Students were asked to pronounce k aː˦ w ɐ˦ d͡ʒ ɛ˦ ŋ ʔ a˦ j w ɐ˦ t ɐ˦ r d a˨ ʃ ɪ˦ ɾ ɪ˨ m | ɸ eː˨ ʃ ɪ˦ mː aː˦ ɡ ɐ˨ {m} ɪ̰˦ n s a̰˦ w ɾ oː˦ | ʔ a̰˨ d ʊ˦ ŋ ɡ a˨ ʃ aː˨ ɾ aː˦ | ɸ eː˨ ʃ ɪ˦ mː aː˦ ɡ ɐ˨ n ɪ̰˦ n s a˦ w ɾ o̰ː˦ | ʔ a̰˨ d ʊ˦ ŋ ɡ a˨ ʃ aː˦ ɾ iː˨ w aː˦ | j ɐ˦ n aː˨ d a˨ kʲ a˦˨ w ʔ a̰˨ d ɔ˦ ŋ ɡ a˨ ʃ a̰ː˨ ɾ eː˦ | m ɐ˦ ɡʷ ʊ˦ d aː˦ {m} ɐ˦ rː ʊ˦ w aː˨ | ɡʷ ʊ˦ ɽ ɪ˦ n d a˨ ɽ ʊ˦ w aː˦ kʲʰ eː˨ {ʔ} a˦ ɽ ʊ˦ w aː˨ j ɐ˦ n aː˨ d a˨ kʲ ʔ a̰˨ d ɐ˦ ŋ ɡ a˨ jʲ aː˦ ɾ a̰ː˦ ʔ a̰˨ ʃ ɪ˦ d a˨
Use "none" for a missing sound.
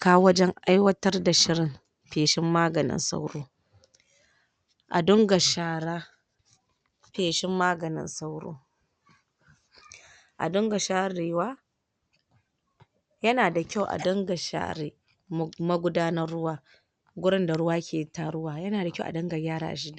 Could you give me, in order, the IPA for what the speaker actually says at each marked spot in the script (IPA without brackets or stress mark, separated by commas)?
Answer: n, n, t